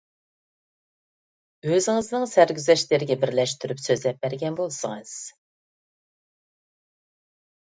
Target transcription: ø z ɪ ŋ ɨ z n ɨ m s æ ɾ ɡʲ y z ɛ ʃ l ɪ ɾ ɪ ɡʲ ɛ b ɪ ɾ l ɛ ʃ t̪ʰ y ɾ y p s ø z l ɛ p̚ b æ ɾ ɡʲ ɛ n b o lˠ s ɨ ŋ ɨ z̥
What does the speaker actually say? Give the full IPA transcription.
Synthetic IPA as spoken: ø z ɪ ŋ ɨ z n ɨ ŋ s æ ɾ ɡʲ y z ɛ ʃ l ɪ ɾ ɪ ɡʲ ɛ b ɪ ɾ l ɛ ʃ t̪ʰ y ɾ y p s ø z l ɛ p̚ b æ ɾ ɡʲ ɛ n b o lˠ s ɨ ŋ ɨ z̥